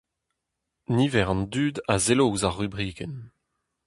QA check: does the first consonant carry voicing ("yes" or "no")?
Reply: yes